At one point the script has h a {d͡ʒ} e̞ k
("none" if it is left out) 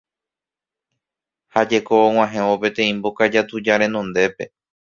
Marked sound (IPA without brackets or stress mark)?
d͡ʒ